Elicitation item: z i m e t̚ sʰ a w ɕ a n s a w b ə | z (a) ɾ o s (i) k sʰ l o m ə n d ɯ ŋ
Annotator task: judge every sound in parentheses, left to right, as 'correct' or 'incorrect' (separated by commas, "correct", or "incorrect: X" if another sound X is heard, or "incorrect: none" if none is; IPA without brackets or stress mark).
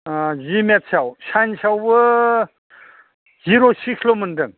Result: incorrect: i, correct